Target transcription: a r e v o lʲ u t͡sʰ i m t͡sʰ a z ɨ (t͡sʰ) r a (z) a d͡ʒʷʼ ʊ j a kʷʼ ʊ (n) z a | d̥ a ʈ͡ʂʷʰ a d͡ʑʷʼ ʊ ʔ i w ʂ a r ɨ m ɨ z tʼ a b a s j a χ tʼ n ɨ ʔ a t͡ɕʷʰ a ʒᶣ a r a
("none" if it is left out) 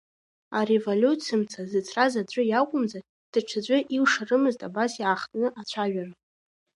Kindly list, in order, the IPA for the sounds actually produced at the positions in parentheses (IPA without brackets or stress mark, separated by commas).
t͡sʰ, z, m